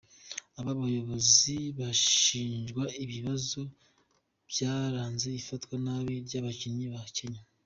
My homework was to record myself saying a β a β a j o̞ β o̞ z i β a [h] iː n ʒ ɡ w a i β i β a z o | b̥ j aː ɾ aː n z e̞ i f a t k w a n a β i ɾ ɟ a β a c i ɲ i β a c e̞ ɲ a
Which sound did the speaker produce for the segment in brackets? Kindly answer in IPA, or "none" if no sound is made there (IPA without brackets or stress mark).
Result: ʃ